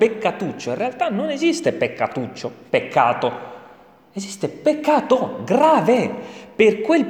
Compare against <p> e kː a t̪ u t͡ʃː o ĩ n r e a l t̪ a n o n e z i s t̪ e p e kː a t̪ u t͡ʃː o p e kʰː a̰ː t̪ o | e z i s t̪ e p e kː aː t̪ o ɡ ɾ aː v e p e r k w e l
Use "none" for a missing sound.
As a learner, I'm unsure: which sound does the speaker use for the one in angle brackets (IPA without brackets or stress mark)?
p